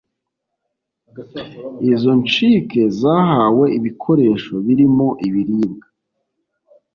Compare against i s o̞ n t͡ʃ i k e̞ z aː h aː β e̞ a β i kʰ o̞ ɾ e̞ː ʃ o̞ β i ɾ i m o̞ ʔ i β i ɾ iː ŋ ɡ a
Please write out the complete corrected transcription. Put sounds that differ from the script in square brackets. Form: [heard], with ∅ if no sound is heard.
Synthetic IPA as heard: i [z] o̞ n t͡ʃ i k e̞ z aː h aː [w] e̞ [i] β i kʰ o̞ ɾ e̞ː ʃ o̞ β i ɾ i m o̞ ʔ i β i ɾ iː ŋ ɡ a